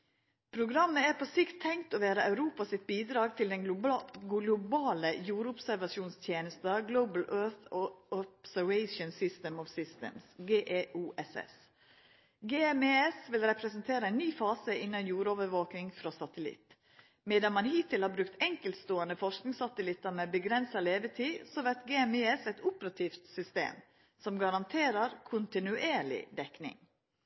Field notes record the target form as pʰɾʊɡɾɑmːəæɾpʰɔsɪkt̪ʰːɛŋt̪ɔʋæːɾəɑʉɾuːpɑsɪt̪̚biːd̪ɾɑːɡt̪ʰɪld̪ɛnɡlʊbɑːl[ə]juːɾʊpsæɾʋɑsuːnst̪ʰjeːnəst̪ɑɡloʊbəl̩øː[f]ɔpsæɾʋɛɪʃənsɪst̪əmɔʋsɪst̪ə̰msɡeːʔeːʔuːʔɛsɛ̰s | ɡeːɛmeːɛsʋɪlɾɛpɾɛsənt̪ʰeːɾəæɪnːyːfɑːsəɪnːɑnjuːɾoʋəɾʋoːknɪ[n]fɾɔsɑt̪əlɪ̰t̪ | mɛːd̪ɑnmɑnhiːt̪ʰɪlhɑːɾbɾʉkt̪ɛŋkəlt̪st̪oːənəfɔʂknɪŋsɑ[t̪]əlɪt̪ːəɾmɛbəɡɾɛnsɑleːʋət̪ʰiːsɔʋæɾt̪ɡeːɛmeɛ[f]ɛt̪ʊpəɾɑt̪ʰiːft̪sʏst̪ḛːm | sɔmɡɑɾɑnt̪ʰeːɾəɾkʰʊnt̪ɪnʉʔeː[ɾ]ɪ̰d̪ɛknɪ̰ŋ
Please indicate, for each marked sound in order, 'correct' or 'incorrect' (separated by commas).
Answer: correct, incorrect, incorrect, correct, incorrect, incorrect